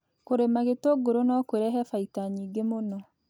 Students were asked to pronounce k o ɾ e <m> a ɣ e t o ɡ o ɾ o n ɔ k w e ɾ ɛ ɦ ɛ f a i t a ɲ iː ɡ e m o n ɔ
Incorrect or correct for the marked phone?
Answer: correct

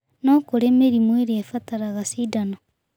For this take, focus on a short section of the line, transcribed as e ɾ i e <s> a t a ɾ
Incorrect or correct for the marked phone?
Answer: incorrect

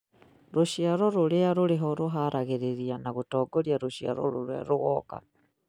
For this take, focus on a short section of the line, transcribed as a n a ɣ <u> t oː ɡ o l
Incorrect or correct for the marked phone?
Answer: correct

